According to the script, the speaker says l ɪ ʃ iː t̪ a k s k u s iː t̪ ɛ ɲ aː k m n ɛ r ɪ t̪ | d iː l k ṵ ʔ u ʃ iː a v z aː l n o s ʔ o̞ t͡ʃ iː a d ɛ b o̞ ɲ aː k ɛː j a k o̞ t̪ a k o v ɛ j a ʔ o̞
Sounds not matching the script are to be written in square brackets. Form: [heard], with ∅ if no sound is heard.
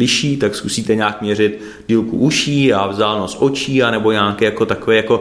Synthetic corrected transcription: l ɪ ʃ iː t̪ a k s k u s iː t̪ ɛ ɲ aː k m [ɲ] ɛ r ɪ t̪ | d iː l k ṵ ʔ u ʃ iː a v z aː l n o s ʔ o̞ t͡ʃ iː a [n] ɛ b o̞ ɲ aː k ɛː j a k o̞ t̪ a k o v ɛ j a [k] o̞